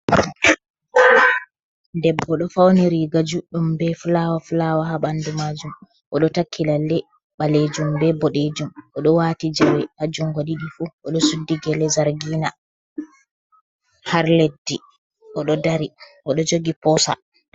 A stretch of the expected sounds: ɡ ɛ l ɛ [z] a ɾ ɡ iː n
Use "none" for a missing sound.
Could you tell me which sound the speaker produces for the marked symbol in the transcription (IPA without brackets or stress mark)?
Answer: z